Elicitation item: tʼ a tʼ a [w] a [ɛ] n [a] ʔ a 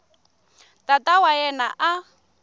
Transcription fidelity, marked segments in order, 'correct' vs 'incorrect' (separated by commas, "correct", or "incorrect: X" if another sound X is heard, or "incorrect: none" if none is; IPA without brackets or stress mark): correct, correct, correct